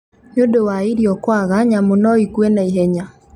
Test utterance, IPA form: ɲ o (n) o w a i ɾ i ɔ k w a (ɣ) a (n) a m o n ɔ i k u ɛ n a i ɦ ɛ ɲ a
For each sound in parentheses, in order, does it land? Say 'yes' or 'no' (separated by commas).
no, yes, no